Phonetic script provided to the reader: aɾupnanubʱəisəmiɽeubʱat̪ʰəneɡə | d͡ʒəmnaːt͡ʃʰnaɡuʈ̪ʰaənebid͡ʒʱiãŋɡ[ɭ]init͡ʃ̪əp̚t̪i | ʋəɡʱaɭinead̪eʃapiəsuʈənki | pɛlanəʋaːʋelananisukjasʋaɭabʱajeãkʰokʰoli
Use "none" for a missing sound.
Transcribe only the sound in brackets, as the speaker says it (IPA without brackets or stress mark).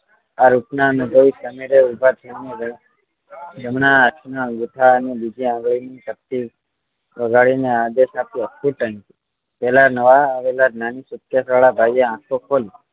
ɭ